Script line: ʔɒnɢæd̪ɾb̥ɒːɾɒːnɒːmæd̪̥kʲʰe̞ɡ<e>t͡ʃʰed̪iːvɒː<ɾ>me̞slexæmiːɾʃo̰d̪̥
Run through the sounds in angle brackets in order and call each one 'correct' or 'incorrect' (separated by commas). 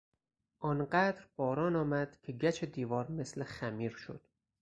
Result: incorrect, correct